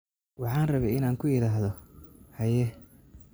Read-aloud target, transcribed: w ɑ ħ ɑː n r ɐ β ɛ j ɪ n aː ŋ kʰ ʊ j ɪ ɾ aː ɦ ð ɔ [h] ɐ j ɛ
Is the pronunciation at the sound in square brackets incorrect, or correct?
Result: correct